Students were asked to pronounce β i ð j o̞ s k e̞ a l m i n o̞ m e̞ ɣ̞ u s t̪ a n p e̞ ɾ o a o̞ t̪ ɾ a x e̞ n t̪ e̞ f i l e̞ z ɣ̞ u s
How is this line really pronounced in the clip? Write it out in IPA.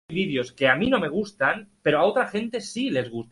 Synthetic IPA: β i ð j o̞ s k e̞ a m i n o̞ m e̞ ɣ̞ u s t̪ a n p e̞ ɾ o a o̞ t̪ ɾ a x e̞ n t̪ e̞ s i l e̞ z ɣ̞ u s